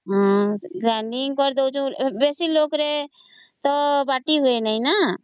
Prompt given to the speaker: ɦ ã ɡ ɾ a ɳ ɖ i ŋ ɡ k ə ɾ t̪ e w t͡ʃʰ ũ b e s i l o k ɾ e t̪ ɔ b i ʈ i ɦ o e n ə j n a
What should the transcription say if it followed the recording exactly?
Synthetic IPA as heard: ɦ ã ɡ ɾ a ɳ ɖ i ŋ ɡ k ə ɾ d̪ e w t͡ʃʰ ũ b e s i l o k ɾ e t̪ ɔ b a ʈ i ɦ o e n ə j n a